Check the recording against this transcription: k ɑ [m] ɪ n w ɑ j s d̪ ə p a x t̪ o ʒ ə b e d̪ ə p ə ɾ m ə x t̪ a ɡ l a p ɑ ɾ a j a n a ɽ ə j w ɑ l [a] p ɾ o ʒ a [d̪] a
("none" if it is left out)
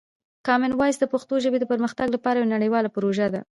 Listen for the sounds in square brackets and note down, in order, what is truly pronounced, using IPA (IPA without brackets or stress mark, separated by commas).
m, a, d̪